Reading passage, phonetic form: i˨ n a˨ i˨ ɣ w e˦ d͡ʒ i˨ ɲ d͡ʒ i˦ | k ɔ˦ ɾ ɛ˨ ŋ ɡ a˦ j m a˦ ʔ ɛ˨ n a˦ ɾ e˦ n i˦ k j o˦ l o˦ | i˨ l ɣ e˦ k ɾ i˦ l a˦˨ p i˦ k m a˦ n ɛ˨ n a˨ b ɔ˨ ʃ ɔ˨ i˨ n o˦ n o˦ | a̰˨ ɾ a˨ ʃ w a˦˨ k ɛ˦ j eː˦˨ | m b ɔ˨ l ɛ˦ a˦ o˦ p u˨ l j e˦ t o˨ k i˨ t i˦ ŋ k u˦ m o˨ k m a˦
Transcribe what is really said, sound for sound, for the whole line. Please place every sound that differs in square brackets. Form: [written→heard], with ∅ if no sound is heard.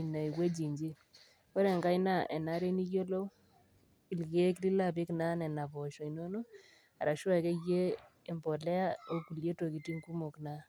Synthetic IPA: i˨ n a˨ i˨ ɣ w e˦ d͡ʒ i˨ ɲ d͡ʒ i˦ | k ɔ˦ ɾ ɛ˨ ŋ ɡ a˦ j [m→n] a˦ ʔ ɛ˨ n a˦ ɾ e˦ n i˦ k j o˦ l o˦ | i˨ l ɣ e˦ k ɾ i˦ l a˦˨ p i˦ k [m→n] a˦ n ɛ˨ n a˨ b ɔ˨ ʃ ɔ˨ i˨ n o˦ n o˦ | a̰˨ ɾ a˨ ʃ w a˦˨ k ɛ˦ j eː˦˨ | m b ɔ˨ l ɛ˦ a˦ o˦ [p→k] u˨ l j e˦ t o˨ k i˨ t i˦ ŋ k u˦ m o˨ k [m→n] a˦